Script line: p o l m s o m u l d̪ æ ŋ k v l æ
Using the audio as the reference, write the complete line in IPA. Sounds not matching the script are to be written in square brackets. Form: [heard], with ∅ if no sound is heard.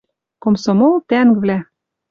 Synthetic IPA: [k] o [∅] m s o m [o] l [t̪] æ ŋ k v l æ